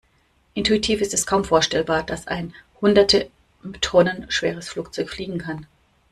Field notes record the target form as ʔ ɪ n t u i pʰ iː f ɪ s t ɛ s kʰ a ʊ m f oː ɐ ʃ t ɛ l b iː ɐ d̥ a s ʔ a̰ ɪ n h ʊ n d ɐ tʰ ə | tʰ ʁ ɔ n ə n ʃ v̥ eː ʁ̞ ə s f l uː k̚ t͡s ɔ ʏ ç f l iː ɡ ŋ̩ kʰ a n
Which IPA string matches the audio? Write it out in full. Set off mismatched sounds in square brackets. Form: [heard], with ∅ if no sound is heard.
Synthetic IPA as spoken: ʔ ɪ n t u i [tʰ] iː f ɪ s t ɛ s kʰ a ʊ m f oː ɐ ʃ t ɛ l b [aː] ɐ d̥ a s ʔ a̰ ɪ n h ʊ n d ɐ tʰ ə | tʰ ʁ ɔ n ə n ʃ v̥ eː ʁ̞ ə s f l uː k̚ t͡s ɔ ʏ ç f l iː ɡ ŋ̩ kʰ a n